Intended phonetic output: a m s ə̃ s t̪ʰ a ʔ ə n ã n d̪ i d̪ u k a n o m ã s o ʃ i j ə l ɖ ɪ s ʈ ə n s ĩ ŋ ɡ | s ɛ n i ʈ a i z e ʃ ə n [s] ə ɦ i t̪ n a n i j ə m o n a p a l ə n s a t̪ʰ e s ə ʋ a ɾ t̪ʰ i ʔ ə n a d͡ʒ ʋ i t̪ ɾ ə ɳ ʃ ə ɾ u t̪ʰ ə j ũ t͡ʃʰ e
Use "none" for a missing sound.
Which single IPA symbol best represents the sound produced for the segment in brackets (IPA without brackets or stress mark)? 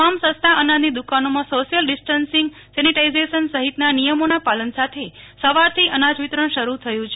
s